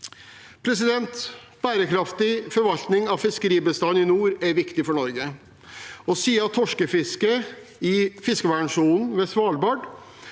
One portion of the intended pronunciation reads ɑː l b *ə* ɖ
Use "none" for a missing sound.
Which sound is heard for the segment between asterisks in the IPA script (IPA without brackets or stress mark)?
ɑ